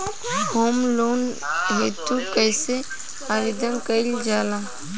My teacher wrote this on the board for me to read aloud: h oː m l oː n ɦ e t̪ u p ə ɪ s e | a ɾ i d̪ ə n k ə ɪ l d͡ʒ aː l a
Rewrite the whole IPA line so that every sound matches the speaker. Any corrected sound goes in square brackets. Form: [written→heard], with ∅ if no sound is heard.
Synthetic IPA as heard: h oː m l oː n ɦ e t̪ u [p→k] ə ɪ s e | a ɾ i d̪ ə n k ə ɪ l d͡ʒ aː l a